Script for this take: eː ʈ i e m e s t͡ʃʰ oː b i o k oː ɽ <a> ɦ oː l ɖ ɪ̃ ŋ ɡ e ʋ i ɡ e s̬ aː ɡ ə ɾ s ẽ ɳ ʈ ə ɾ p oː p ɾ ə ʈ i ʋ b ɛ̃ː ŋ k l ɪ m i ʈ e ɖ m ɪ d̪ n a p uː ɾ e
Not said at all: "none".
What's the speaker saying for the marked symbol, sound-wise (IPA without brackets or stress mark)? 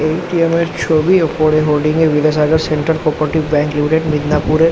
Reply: e